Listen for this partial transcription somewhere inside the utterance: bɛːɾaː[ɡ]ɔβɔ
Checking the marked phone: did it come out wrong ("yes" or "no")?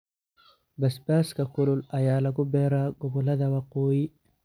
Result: no